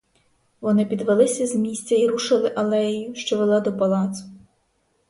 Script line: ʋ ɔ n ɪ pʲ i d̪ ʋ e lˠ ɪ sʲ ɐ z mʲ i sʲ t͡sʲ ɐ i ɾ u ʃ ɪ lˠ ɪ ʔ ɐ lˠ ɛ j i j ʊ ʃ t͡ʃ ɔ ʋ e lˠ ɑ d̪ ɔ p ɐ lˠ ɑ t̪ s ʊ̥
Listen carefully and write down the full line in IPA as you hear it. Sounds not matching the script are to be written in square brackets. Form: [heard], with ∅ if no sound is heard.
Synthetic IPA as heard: ʋ ɔ n ɪ pʲ i d̪ ʋ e lˠ ɪ sʲ ɐ z mʲ i sʲ t͡sʲ ɐ i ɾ u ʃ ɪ lˠ ɪ ʔ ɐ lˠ ɛ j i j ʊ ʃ t͡ʃ ɔ ʋ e lˠ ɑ d̪ ɔ p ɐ lˠ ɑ t̪ s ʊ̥

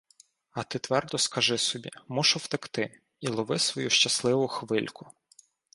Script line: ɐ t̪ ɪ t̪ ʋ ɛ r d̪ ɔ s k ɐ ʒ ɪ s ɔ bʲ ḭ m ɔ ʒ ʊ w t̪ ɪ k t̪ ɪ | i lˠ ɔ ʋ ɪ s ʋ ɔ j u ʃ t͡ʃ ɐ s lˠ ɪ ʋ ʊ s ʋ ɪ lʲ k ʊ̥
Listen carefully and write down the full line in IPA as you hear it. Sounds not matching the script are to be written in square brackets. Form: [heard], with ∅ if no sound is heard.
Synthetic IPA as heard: ɐ t̪ ɪ t̪ ʋ ɛ r d̪ ɔ s k ɐ ʒ ɪ s ɔ bʲ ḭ m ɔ [ʃ] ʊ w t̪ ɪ k t̪ ɪ | i lˠ ɔ ʋ ɪ s ʋ ɔ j u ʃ t͡ʃ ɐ s lˠ ɪ ʋ ʊ [x] ʋ ɪ lʲ k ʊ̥

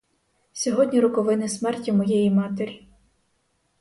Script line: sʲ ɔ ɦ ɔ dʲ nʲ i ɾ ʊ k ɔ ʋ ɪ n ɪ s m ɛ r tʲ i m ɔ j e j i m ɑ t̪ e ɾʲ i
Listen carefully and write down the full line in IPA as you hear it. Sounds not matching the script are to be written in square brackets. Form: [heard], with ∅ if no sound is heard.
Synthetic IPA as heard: sʲ ɔ ɦ ɔ dʲ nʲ i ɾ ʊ k ɔ ʋ ɪ n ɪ s m ɛ r tʲ i m ɔ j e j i m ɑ t̪ e ɾʲ i

